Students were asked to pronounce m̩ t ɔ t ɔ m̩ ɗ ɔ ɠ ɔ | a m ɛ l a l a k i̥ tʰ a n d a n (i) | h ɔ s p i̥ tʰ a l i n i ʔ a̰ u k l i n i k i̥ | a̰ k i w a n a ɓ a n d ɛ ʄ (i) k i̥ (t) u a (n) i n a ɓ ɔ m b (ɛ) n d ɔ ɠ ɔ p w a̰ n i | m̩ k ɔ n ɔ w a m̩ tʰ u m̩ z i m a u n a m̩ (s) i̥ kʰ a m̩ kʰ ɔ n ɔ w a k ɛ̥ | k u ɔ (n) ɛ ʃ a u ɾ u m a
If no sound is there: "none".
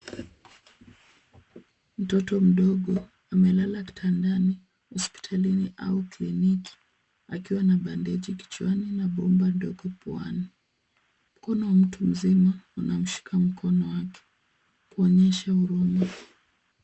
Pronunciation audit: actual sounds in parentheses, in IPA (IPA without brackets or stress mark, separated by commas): i, i, t͡ʃ, n, a, ʃ, ɲ